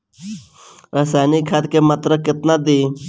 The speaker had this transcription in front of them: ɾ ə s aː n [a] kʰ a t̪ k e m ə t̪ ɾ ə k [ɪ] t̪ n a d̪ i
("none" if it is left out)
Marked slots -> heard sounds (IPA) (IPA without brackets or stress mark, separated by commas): i, ɪ